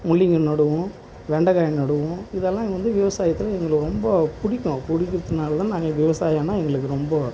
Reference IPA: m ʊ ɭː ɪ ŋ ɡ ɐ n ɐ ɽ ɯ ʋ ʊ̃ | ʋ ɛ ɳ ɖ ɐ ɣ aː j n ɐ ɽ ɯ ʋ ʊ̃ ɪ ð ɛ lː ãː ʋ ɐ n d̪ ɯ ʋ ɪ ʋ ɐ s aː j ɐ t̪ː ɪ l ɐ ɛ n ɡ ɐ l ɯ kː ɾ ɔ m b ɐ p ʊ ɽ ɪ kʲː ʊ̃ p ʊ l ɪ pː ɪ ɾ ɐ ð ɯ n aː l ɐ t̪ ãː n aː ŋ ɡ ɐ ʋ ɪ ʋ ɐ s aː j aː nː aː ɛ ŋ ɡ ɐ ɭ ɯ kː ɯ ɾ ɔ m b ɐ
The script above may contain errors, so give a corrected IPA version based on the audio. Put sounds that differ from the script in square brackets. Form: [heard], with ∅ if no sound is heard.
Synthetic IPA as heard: m ʊ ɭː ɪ ŋ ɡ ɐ n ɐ ɽ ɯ ʋ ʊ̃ | ʋ ɛ ɳ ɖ ɐ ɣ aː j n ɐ ɽ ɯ ʋ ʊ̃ ɪ ð ɛ lː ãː ʋ ɐ n d̪ ɯ ʋ ɪ ʋ ɐ s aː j ɐ t̪ː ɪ l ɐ ɛ [ŋ] ɡ ɐ [ɭ] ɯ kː ɾ ɔ m b ɐ p ʊ ɽ ɪ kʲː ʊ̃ p ʊ [ɽ] ɪ [kː] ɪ ɾ ɐ ð ɯ n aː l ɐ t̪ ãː n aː ŋ ɡ ɐ ʋ ɪ ʋ ɐ s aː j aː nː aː ɛ ŋ ɡ ɐ ɭ ɯ kː ɯ ɾ ɔ m b ɐ